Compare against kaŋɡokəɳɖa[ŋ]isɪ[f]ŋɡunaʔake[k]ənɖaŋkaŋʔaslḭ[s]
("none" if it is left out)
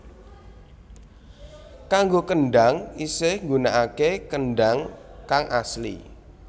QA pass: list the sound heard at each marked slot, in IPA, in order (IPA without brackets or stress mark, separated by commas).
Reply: ŋ, h, k, none